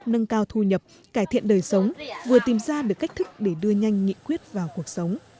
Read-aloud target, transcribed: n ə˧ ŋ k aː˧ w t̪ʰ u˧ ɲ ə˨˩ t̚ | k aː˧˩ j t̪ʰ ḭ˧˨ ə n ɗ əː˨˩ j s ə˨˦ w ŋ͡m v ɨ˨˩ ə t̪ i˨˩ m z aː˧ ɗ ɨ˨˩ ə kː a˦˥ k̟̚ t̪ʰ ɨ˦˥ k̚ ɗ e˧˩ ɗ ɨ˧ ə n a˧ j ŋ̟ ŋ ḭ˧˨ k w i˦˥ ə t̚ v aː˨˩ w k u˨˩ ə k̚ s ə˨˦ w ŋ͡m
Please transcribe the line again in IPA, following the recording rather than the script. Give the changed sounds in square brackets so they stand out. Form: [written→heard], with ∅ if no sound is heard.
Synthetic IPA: n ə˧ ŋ k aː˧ w t̪ʰ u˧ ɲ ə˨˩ [t̚→p̚] | k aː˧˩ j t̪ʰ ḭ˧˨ ə n ɗ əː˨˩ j s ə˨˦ w ŋ͡m v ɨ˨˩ ə t̪ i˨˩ m z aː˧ ɗ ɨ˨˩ ə kː a˦˥ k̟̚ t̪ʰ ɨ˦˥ k̚ ɗ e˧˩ ɗ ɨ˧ ə [n→ɲ] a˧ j ŋ̟ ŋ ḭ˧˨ k w i˦˥ ə t̚ v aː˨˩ w k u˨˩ ə k̚ s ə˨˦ w ŋ͡m

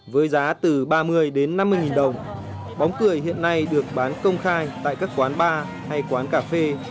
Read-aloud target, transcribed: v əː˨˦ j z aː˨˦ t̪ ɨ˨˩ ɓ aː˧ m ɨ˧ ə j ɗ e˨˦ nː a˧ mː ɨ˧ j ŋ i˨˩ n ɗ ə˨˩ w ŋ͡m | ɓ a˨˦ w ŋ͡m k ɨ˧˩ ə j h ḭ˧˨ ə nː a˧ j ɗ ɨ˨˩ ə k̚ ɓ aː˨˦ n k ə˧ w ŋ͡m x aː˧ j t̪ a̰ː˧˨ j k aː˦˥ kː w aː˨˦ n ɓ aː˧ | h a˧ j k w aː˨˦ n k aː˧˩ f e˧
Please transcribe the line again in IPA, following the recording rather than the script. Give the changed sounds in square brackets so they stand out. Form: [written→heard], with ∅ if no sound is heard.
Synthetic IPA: v əː˨˦ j z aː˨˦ t̪ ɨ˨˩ ɓ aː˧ m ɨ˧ ə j ɗ e˨˦ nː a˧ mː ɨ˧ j ŋ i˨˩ n ɗ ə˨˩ w ŋ͡m | ɓ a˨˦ w ŋ͡m k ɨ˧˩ ə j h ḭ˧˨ ə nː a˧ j ɗ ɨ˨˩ ə k̚ ɓ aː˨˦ n k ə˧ w ŋ͡m x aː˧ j t̪ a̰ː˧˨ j k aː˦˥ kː w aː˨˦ n ɓ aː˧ | h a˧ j k w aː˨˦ n k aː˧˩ f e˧

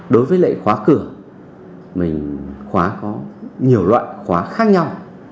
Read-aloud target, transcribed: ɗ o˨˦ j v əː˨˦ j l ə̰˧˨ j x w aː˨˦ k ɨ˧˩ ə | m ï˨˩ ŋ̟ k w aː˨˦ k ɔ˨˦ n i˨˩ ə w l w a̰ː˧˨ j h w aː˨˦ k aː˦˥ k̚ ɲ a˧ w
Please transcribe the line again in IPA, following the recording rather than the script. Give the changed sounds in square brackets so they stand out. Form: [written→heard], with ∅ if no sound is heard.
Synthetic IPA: ɗ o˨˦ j v əː˨˦ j l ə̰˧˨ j x w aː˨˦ k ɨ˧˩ ə | m ï˨˩ ŋ̟ [k→x] w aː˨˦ k ɔ˨˦ [n→ɲ] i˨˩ ə w l w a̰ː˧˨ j [h→x] w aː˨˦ [k→x] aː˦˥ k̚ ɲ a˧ w

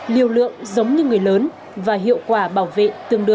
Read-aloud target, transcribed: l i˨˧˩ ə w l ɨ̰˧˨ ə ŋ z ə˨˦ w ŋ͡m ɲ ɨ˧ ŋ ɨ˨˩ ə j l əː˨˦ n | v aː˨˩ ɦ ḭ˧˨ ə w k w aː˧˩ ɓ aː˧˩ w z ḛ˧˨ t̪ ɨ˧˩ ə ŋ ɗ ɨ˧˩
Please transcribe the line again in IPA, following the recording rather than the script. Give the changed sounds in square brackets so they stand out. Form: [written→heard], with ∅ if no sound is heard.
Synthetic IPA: l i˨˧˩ ə w l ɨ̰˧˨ ə ŋ z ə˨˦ w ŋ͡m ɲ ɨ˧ ŋ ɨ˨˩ ə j l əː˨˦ n | v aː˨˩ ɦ ḭ˧˨ ə w k w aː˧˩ ɓ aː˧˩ w [z→v] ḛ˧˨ t̪ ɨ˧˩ ə ŋ ɗ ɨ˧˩

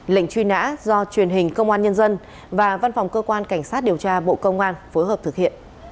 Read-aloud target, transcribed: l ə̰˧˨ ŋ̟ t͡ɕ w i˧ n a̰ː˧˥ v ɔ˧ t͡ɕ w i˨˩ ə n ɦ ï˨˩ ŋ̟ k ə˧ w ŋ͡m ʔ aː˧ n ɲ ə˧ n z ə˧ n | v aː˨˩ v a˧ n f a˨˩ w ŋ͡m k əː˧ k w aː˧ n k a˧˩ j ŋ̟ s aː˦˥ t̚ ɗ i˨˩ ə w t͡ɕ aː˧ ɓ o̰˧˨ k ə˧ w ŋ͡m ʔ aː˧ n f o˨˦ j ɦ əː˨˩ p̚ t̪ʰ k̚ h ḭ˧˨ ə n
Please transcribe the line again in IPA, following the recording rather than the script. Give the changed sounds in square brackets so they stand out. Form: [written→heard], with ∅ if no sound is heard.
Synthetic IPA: l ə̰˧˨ ŋ̟ t͡ɕ w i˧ n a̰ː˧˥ [v→z] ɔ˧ t͡ɕ w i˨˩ ə n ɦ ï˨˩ ŋ̟ k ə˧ w ŋ͡m ʔ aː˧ n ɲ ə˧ n z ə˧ n | v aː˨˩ v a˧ n f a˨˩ w ŋ͡m k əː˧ k w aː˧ n k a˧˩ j ŋ̟ s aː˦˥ t̚ ɗ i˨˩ ə w t͡ɕ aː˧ ɓ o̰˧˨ k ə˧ w ŋ͡m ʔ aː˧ n f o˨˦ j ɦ əː˨˩ p̚ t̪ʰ k̚ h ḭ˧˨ ə n

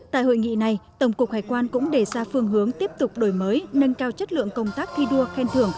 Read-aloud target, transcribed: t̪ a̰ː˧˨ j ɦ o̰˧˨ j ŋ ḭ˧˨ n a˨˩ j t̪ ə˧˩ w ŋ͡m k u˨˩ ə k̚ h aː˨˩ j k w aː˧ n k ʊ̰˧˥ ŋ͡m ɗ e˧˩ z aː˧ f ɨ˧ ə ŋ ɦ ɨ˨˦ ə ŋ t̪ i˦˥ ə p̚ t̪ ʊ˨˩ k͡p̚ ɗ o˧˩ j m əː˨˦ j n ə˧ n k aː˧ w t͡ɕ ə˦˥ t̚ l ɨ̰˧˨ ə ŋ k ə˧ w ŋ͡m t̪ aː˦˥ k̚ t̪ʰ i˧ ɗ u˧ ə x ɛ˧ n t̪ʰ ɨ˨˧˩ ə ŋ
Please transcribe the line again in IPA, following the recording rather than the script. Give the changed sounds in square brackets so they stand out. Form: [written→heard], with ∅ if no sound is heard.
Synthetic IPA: t̪ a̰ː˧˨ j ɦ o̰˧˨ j ŋ ḭ˧˨ n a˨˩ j t̪ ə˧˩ w ŋ͡m k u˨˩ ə k̚ h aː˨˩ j k w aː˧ n k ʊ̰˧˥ ŋ͡m ɗ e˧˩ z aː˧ f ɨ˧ ə ŋ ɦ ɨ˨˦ ə ŋ t̪ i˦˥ ə p̚ t̪ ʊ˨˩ k͡p̚ ɗ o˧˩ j m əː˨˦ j n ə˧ n k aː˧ w t͡ɕ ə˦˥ t̚ l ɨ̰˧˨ ə ŋ k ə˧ w ŋ͡m t̪ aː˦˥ k̚ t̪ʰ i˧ ɗ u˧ ə x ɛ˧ n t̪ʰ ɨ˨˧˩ ə ŋ

